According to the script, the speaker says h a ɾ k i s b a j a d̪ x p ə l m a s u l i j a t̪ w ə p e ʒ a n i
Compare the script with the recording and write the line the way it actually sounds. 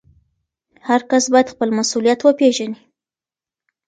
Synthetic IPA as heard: h a ɾ k a s b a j a d̪ x p ə l m a s u l i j a t̪ w ə p e ʒ a n i